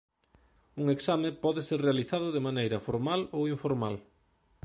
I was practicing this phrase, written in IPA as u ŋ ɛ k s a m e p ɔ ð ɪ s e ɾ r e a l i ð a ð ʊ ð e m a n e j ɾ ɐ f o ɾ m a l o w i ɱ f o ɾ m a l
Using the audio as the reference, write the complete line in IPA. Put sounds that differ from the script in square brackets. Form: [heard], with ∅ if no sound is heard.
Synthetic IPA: u ŋ [e] k s a m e p ɔ ð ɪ s e ɾ r e a l i [θ] a ð ʊ ð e m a n e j ɾ ɐ f o ɾ m a l o w i ɱ f o ɾ m a l